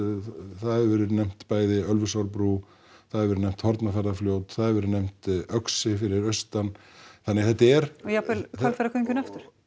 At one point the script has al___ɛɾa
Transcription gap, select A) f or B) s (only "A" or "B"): A